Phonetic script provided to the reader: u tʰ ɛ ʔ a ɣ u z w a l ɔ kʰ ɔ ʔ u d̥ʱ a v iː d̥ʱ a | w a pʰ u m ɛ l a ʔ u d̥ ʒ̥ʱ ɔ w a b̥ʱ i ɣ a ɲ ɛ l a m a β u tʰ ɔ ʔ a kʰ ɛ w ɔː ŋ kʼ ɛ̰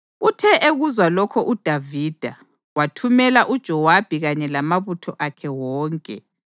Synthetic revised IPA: u tʰ ɛ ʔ e ɣ u z w a l ɔ kʰ ɔ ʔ u d̥ʱ a v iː d̥ʱ a | w a tʰ u m ɛ l a ʔ u d̥ ʒ̥ʱ ɔ w a b̥ʱ i ɣ a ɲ ɛ l a m a β u tʰ ɔ ʔ a kʰ ɛ w ɔː ŋ kʼ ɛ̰